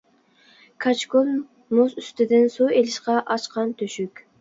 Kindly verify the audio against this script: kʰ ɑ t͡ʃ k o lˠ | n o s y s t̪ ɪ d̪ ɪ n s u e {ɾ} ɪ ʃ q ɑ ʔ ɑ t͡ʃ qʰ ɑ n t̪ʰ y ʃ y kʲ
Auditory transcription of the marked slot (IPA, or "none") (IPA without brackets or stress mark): l